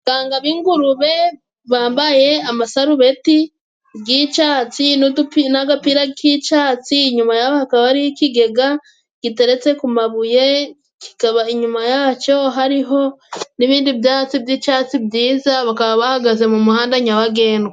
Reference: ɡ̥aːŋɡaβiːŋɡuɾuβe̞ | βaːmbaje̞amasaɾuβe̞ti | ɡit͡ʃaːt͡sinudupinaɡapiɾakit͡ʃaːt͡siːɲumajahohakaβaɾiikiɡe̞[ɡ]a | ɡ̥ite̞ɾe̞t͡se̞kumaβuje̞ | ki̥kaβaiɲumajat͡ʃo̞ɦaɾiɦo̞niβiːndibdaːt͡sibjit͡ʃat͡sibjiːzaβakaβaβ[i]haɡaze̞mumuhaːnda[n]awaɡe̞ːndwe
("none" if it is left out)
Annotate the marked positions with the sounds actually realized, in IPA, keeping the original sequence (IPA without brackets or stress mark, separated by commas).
ɡ, a, ɲ